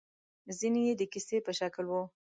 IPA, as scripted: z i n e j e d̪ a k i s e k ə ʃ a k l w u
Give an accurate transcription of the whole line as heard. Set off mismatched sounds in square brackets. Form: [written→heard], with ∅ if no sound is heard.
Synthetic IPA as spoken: z i n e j e d̪ [a→ə] k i s e [k→p] ə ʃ a k l w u